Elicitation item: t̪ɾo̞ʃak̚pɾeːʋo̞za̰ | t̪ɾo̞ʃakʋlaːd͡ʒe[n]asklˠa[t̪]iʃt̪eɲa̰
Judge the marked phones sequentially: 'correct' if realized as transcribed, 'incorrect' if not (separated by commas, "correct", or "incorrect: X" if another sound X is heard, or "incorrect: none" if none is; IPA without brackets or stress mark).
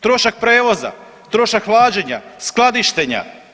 incorrect: ɲ, incorrect: d̪